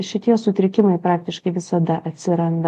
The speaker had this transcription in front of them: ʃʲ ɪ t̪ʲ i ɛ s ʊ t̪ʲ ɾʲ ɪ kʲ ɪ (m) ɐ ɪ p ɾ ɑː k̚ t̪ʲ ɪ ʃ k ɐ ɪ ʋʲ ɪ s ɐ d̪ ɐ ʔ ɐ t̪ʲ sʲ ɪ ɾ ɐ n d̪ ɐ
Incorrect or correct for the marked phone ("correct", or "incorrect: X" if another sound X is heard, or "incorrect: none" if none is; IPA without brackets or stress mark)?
correct